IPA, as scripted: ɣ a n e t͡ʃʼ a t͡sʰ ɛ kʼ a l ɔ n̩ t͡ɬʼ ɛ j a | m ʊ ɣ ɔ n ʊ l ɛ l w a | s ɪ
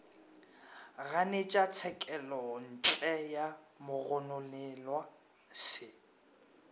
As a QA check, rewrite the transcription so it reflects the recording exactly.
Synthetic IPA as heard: ɣ a n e t͡ʃʼ a t͡sʰ ɛ kʼ ɛ l ɔ n̩ t͡ɬʼ ɛ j a | m ʊ ɣ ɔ n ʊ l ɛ l w a | s ɪ